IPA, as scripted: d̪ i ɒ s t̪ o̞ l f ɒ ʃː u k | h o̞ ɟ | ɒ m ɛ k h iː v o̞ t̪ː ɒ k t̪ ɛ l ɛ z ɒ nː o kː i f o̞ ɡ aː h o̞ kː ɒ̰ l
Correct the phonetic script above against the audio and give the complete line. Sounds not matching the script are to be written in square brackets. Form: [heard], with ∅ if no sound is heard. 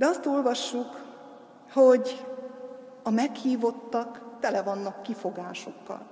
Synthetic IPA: d̪ [ɛ] ɒ s t̪ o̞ l [v] ɒ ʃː u k | h o̞ ɟ | ɒ m ɛ k h iː v o̞ t̪ː ɒ k t̪ ɛ l ɛ [v] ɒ nː [ɒ] kː i f o̞ ɡ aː [ʃ] o̞ kː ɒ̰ l